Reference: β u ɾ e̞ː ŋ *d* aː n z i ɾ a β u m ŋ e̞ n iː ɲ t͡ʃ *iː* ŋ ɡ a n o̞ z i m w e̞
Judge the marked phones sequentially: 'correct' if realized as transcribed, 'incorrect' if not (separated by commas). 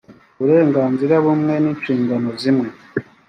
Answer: incorrect, correct